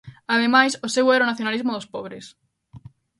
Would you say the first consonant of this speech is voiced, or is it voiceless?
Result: voiced